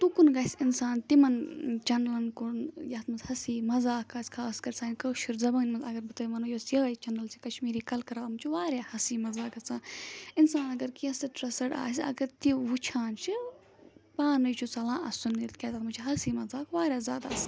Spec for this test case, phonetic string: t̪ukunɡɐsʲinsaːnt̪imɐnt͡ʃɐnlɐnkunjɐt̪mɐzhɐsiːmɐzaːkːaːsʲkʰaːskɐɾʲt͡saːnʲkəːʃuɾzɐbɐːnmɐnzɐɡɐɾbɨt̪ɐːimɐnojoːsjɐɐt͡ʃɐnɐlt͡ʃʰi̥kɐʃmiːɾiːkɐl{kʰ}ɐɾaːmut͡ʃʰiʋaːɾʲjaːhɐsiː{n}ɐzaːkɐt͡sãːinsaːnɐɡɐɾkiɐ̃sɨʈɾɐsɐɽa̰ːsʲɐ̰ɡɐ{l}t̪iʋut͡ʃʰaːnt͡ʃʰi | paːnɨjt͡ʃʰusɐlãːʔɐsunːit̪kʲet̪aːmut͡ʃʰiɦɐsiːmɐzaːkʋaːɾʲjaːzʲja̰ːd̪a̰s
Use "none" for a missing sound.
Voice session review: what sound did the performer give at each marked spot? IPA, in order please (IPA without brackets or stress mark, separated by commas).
k, m, ɾ